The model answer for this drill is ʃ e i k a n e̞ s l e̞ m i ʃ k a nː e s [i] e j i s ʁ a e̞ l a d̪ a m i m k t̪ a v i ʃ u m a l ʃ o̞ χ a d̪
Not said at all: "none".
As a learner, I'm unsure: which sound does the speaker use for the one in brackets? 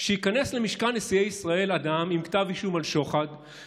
i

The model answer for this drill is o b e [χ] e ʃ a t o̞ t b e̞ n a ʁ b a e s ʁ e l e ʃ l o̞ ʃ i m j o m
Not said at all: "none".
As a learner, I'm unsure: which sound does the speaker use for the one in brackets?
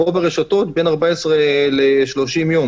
ʁ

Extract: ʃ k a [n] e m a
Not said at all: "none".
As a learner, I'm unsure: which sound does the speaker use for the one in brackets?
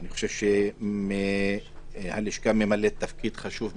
m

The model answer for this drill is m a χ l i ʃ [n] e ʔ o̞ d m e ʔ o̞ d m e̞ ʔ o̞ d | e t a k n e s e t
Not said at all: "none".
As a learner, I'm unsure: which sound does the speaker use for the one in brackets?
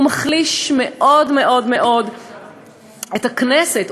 m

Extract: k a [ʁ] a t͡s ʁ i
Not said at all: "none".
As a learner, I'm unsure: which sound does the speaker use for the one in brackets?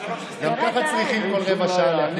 χ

